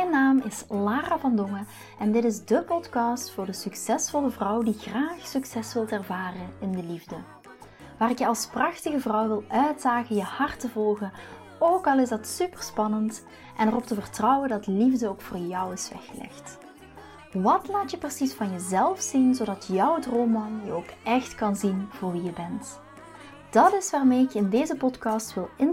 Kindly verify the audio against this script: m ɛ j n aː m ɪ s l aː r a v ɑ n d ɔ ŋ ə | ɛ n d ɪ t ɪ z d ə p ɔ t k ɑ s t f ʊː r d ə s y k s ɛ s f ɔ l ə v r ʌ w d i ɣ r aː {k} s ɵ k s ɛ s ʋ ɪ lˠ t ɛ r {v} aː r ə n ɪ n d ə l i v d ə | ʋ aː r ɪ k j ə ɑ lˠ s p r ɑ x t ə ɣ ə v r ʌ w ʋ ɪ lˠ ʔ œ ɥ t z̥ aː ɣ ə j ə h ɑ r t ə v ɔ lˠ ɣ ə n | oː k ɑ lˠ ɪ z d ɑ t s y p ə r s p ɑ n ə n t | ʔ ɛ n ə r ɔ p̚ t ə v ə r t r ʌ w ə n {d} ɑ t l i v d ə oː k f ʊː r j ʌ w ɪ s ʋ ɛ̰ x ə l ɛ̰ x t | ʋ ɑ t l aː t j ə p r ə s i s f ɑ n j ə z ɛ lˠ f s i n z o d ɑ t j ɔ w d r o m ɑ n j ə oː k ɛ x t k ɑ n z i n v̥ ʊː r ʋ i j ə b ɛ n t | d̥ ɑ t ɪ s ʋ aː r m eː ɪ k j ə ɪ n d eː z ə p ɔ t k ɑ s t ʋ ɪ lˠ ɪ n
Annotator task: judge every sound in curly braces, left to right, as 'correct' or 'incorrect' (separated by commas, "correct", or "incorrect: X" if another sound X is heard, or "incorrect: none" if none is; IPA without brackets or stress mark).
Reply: incorrect: x, correct, correct